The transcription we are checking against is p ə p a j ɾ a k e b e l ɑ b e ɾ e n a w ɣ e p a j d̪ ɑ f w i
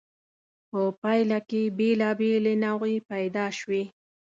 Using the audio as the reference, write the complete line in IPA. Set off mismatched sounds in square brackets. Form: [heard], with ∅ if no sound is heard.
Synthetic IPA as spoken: p ə p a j [l] a k e b e l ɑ b e [l] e n a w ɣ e p a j d̪ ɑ [ʃ] w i